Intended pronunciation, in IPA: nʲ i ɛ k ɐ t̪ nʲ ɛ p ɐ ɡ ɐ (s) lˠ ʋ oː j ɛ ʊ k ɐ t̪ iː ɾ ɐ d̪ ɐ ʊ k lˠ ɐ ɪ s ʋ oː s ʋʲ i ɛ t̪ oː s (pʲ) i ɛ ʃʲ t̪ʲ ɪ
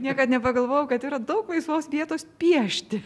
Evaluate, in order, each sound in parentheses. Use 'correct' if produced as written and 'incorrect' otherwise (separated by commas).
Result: incorrect, correct